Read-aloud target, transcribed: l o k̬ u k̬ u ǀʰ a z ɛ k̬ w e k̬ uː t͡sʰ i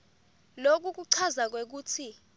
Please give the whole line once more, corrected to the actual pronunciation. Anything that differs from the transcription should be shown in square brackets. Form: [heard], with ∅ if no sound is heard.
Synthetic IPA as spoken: l o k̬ u k̬ u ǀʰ a z [a] k̬ w e k̬ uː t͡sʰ i